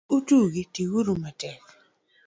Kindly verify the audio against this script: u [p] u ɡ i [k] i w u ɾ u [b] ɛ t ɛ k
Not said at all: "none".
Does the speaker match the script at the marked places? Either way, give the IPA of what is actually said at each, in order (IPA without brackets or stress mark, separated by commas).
t, t, m